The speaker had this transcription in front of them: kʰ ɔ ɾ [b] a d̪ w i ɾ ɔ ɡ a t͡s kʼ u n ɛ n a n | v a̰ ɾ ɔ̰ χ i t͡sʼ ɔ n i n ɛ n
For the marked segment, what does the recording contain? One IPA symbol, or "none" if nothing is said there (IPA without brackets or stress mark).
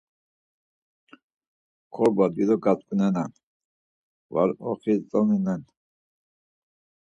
b